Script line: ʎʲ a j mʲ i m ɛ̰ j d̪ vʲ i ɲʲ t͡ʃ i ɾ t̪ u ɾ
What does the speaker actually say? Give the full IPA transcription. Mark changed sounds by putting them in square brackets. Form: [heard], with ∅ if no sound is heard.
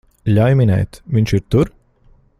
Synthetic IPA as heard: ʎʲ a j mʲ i [n] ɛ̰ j [t̪] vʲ i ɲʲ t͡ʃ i ɾ t̪ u ɾ